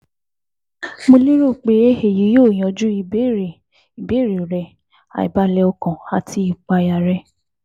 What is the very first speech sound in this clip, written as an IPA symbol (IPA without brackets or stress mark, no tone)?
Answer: m